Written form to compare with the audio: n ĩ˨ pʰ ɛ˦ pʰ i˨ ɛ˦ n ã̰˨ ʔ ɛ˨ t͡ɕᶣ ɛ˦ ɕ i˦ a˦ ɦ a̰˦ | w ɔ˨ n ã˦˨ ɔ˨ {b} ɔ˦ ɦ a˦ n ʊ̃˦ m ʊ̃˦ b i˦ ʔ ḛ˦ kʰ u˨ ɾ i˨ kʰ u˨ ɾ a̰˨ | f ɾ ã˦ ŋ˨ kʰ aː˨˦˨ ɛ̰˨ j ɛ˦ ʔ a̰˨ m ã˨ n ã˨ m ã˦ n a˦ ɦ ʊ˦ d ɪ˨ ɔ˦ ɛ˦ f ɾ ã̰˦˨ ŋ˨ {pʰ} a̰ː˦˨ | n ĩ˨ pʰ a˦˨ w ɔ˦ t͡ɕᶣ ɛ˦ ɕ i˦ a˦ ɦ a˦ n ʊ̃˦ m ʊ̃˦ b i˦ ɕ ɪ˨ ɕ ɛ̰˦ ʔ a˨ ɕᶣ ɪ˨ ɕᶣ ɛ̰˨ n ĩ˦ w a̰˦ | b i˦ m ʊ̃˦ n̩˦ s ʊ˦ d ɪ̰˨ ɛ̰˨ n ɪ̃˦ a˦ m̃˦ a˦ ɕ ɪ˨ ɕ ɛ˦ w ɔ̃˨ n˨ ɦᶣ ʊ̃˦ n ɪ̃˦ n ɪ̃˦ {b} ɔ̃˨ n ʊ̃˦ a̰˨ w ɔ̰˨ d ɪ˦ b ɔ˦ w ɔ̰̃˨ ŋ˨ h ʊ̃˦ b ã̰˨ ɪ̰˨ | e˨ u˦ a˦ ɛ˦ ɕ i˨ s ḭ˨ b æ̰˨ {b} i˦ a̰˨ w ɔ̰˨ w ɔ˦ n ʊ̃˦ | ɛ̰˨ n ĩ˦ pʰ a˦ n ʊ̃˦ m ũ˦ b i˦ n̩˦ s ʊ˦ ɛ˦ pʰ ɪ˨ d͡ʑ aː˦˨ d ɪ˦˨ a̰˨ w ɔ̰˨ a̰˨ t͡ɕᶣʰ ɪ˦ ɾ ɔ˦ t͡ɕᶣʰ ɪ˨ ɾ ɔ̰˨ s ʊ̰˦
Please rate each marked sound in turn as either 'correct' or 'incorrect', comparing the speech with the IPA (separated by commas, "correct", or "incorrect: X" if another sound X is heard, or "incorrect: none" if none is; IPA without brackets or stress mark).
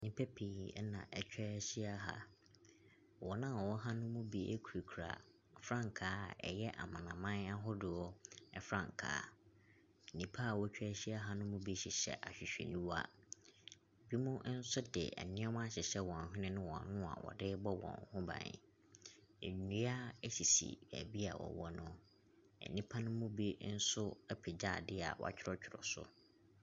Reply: incorrect: w, incorrect: kʰ, incorrect: w, correct